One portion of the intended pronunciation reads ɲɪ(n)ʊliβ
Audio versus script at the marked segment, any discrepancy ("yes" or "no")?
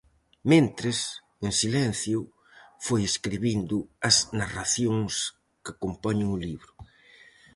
yes